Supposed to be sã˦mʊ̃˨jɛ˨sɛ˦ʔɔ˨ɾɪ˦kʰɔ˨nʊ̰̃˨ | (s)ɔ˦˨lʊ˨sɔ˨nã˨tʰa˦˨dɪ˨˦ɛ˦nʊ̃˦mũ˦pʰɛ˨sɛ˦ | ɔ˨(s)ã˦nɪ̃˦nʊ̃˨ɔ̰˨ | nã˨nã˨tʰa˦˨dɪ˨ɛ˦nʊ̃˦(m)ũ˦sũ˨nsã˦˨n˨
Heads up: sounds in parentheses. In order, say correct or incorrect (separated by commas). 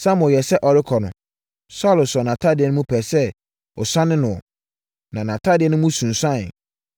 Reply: correct, correct, correct